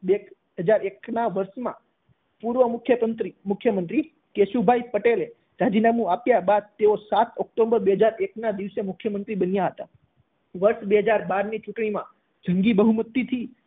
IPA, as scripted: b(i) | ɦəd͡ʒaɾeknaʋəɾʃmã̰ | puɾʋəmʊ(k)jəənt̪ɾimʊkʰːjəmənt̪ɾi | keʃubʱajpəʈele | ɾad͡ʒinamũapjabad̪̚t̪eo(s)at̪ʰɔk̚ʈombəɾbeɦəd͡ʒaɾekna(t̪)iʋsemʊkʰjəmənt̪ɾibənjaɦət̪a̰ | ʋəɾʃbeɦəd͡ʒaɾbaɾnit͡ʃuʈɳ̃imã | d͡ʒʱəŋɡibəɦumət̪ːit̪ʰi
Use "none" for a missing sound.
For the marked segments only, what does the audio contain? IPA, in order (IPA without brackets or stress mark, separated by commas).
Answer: e, kʰ, s, d̪